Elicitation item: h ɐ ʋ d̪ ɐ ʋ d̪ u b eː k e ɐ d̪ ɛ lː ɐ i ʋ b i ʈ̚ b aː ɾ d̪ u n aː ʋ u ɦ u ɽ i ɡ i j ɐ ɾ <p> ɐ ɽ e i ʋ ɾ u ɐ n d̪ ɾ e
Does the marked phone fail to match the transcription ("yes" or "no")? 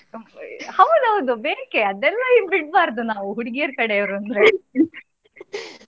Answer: yes